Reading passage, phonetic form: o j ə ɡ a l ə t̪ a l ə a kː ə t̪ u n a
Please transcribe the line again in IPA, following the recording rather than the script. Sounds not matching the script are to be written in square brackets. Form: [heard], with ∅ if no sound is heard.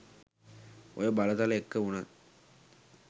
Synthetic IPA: o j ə [b] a l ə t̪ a l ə [e] kː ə [∅] u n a

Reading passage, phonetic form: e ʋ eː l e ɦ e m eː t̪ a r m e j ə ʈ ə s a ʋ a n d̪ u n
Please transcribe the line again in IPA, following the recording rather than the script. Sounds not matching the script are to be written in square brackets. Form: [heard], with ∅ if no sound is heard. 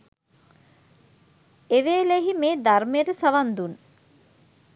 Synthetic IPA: e ʋ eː l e ɦ [i] m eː [d̪] a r m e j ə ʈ ə s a ʋ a n d̪ u n

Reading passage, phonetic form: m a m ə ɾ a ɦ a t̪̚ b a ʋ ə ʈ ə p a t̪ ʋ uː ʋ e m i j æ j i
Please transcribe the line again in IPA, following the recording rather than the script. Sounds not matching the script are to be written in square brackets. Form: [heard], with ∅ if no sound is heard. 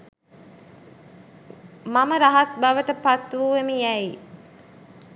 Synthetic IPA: m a m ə ɾ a ɦ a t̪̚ b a ʋ ə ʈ ə p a t̪ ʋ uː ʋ e m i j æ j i

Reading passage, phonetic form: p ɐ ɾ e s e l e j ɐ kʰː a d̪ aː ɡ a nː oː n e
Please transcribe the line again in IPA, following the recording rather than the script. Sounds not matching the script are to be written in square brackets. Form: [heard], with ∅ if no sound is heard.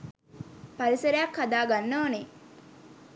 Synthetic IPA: p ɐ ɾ [i] s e [ɾ] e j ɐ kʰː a d̪ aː ɡ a nː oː n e

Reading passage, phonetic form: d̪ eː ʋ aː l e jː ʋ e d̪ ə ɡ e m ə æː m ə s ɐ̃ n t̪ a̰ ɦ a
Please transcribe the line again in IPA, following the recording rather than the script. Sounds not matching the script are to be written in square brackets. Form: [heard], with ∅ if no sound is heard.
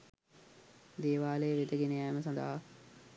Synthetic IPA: d̪ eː ʋ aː l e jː ʋ e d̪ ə ɡ e [n] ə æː m ə s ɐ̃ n [d̪] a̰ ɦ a

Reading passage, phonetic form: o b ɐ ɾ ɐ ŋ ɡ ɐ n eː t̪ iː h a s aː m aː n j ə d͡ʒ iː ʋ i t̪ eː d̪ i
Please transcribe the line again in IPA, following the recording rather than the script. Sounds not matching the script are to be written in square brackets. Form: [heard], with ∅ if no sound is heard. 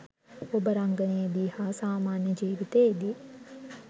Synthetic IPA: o b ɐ ɾ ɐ ŋ ɡ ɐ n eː [d̪] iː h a s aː m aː n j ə d͡ʒ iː ʋ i t̪ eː d̪ i

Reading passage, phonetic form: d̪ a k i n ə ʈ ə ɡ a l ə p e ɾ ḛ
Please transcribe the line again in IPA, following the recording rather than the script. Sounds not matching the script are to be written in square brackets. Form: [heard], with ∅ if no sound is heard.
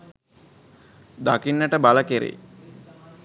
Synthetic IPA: d̪ a k i [nː] ə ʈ ə [b] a l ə [k] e ɾ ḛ

